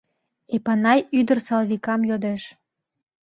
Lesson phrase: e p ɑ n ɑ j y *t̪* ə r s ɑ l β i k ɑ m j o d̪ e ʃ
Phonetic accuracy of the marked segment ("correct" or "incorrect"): incorrect